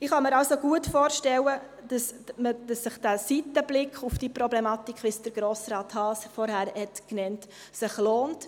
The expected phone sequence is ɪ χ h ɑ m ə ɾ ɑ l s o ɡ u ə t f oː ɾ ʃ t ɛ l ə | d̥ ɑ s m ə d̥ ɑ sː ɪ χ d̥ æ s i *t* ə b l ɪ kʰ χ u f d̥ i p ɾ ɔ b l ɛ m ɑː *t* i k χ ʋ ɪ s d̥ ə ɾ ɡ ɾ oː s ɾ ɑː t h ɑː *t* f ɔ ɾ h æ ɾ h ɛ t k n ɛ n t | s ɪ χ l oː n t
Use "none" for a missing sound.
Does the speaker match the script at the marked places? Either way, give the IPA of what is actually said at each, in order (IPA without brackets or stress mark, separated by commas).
t, t, s